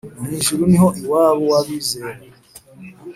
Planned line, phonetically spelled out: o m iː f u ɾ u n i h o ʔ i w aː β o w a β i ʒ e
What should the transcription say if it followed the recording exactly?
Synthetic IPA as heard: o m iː ʃ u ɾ u n i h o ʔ i w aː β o w a β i z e